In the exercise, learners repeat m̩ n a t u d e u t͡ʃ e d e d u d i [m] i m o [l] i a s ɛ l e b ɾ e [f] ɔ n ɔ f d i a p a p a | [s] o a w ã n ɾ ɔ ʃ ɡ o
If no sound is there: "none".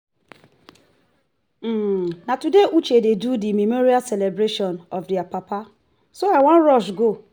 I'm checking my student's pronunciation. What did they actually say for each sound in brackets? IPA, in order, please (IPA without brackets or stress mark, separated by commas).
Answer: m, ɾ, ʃ, s